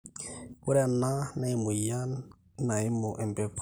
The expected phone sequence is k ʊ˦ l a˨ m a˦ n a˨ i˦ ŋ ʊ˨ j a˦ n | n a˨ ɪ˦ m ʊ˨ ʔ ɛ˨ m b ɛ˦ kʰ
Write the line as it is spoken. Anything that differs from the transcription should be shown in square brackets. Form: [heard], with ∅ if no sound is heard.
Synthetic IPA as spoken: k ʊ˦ [ɾ] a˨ [n] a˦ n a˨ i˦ [m] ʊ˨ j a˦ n | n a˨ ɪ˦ m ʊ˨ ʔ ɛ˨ m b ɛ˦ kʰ